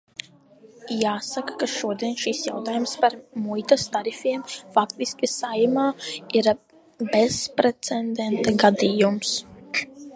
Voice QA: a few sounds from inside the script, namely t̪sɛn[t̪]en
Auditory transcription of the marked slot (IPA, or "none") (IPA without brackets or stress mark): d̪